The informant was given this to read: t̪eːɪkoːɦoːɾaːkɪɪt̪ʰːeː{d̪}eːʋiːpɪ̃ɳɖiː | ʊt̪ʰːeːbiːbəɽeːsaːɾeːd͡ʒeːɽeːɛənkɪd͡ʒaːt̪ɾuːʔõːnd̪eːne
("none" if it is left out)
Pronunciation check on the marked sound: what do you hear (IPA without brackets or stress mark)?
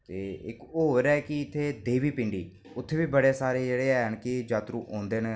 d̪